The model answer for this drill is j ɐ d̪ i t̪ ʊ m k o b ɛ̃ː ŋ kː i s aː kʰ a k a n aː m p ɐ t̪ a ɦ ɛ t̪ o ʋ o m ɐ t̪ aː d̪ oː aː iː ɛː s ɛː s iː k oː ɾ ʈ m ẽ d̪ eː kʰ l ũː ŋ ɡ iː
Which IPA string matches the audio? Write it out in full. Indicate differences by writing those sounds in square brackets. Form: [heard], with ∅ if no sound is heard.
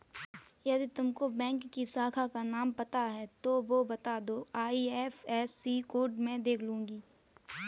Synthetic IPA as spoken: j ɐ d̪ i t̪ ʊ m k o b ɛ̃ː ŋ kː i s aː kʰ a k a n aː m p ɐ t̪ a ɦ ɛ t̪ o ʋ o [b] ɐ t̪ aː d̪ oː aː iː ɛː [f] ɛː s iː k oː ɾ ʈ m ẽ d̪ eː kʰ l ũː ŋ ɡ iː